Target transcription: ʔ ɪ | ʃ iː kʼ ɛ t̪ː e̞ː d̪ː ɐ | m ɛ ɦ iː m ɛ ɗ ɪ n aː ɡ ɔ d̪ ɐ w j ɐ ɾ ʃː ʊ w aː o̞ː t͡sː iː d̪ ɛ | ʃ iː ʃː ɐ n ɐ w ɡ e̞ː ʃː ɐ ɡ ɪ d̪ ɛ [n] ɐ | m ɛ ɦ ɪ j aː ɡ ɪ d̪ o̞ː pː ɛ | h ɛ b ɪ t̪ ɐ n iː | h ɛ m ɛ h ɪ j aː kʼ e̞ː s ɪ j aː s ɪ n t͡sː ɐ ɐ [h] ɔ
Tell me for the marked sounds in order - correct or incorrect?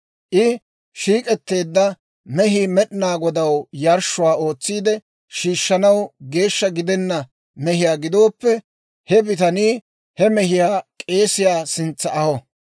incorrect, correct

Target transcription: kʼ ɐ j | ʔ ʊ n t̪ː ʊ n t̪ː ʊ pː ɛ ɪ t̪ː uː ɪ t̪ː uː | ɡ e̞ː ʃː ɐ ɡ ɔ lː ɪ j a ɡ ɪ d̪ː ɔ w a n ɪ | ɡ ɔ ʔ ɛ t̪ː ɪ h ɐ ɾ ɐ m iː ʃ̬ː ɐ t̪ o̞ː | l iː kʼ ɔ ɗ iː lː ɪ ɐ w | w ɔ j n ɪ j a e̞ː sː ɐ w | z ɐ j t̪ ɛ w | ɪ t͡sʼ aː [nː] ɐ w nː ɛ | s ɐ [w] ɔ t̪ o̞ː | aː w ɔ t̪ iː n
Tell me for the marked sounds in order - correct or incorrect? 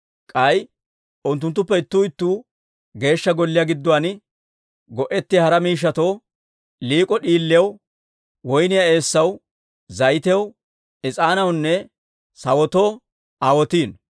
incorrect, correct

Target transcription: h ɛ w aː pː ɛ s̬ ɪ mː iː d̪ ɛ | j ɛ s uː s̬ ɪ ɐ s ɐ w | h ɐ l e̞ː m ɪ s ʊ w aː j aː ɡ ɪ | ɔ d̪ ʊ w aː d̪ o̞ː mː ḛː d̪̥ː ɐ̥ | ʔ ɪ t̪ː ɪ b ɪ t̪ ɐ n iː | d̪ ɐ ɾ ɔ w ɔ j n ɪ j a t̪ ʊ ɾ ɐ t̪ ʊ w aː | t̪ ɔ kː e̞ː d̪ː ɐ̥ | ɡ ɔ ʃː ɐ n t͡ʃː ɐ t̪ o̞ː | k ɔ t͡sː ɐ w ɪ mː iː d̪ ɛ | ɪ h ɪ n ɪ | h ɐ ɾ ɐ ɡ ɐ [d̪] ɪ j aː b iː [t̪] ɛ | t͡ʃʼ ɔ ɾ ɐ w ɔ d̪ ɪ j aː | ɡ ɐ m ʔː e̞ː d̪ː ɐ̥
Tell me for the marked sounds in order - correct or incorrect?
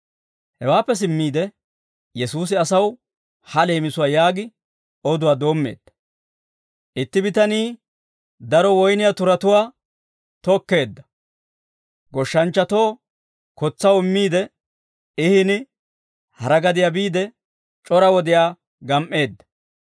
correct, incorrect

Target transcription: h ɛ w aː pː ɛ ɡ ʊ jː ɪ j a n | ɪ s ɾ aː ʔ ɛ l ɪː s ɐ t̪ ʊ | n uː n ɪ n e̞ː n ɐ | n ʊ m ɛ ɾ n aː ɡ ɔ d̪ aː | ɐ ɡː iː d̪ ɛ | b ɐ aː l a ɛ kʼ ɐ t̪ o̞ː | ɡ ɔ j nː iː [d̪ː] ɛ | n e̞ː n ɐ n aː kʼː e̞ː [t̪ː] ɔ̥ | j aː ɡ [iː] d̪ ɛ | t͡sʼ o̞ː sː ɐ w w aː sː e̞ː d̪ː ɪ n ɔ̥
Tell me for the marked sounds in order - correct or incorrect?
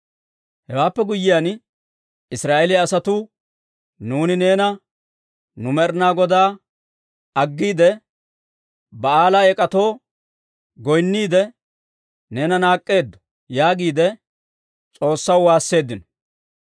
incorrect, incorrect, correct

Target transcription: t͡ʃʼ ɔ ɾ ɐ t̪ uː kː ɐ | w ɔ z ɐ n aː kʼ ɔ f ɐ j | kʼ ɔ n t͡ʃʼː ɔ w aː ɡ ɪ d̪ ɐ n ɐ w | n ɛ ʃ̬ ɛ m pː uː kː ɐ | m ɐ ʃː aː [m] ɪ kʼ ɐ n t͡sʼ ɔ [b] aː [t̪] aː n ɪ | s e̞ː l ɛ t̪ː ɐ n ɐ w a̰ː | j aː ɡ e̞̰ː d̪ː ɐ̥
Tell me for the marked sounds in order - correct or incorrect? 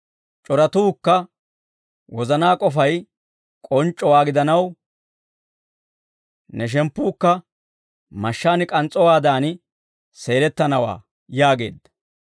incorrect, incorrect, incorrect

